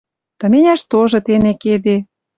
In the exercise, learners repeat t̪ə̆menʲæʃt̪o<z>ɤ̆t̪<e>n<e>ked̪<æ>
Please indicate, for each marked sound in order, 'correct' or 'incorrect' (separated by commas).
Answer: incorrect, correct, correct, incorrect